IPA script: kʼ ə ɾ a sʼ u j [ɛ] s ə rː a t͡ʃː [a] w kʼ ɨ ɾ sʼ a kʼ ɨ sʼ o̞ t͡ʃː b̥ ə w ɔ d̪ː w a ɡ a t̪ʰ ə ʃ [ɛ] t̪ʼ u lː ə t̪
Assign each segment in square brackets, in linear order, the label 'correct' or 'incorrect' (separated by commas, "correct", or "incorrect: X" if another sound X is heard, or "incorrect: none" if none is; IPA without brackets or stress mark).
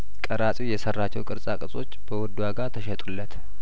correct, incorrect: ɛ, correct